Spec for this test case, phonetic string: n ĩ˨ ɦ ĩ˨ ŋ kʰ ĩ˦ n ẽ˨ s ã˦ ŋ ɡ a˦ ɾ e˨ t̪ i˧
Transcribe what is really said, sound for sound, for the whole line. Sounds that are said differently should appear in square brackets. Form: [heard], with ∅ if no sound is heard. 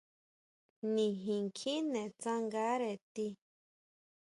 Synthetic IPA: n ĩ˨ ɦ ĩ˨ ŋ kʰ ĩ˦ n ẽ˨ [t͡s] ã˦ ŋ ɡ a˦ ɾ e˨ t̪ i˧